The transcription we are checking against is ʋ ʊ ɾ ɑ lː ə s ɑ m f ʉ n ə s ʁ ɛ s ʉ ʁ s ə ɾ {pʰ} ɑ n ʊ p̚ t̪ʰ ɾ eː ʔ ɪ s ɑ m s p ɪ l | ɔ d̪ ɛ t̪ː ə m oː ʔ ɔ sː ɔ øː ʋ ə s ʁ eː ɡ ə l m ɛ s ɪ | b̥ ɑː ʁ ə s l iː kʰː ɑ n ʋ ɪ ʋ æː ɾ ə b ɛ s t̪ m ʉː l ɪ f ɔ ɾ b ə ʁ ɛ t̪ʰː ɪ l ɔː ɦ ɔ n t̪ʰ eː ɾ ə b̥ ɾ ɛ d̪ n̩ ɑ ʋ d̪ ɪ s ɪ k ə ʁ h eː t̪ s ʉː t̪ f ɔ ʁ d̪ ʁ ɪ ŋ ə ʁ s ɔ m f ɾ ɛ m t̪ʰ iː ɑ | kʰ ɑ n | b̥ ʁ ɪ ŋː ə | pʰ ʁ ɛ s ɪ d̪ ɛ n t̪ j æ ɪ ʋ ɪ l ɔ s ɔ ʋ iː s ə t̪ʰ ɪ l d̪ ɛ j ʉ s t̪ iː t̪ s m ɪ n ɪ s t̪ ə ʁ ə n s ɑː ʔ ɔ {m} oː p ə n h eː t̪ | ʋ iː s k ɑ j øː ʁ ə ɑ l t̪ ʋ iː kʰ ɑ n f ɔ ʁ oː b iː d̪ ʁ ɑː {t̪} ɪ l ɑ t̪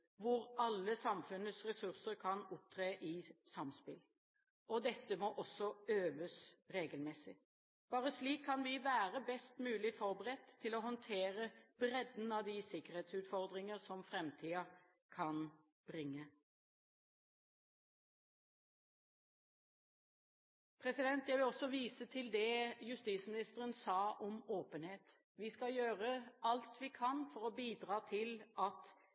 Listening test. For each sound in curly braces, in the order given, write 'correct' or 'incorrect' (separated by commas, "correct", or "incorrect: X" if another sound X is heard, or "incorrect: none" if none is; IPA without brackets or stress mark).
incorrect: kʰ, correct, incorrect: t̪ʰ